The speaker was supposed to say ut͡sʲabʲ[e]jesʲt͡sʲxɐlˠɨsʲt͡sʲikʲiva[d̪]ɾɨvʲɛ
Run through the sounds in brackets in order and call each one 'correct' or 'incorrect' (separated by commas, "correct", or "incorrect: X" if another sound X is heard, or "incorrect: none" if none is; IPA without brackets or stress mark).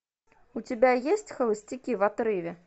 incorrect: a, incorrect: t̪